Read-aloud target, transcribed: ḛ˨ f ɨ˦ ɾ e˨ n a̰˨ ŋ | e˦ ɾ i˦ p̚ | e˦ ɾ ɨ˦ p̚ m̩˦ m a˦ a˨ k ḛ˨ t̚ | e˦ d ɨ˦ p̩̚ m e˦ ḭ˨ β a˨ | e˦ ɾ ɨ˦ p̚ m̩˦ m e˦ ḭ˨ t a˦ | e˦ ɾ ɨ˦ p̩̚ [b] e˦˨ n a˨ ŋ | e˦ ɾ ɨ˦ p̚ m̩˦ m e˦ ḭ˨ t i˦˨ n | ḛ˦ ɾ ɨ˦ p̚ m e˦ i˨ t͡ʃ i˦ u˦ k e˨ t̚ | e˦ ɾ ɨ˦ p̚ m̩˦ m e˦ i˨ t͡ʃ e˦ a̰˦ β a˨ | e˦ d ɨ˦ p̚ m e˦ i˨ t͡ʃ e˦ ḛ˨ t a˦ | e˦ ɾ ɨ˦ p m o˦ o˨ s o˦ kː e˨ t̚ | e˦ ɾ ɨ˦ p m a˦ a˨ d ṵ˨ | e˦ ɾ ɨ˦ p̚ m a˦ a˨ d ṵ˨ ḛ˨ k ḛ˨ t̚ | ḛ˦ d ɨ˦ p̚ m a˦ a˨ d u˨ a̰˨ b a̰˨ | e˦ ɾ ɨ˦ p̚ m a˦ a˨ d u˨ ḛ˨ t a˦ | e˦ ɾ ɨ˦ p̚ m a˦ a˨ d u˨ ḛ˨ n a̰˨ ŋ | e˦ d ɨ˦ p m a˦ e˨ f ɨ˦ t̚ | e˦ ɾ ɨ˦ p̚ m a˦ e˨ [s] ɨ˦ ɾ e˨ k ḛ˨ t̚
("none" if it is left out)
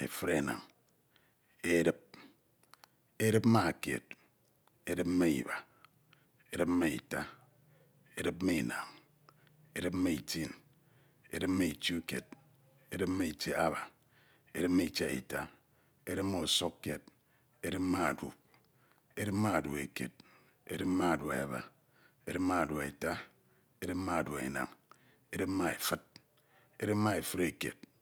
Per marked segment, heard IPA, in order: m, f

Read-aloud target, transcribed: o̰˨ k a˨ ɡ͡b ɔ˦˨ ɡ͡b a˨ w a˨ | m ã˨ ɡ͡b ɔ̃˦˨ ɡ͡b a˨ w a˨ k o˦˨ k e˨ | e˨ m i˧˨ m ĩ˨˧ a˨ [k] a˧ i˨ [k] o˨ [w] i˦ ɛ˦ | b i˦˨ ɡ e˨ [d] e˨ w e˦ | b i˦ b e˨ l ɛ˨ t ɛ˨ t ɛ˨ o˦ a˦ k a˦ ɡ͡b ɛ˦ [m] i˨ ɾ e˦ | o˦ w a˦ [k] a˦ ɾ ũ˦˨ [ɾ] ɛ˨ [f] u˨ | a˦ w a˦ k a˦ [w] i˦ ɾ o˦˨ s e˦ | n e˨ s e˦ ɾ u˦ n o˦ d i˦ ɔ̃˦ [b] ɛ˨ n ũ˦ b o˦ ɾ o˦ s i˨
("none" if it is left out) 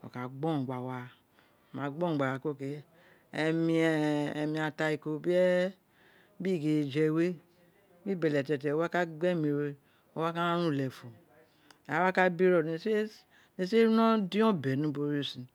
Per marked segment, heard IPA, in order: t, k, b, d͡ʒ, m, k, l, f, b, b

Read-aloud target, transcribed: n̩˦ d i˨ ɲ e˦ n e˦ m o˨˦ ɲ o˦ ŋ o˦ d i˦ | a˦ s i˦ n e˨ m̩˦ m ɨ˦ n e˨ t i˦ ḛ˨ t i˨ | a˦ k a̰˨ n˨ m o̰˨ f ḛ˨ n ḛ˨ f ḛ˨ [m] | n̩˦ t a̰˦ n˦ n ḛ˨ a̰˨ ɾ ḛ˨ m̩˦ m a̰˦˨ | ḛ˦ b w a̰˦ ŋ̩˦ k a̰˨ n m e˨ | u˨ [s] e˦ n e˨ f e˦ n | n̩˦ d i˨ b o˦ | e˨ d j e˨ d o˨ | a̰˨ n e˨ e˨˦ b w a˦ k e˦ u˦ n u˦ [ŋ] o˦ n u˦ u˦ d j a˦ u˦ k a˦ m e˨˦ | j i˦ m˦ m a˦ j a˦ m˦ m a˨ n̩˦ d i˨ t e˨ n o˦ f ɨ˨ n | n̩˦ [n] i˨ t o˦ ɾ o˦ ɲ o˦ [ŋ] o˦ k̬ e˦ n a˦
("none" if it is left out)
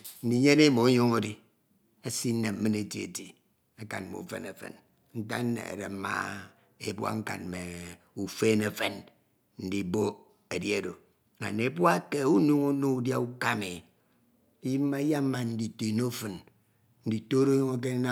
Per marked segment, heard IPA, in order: n, f, ŋ, d, ŋ

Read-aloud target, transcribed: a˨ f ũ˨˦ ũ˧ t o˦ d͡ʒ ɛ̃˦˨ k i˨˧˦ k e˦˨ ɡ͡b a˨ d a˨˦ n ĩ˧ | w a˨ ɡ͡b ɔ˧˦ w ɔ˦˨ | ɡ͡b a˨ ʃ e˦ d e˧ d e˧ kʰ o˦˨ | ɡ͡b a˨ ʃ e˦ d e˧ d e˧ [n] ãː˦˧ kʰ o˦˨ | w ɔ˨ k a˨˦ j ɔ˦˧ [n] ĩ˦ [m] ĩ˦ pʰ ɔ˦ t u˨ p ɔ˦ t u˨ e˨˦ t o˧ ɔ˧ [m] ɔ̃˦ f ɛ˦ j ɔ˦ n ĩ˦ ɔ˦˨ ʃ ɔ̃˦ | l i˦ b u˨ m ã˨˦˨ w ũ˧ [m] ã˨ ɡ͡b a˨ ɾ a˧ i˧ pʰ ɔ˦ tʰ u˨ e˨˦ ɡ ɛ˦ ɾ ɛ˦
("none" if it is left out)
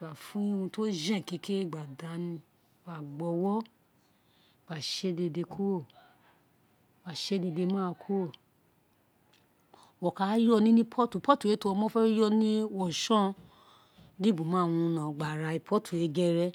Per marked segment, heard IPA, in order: m, n, n, m, n

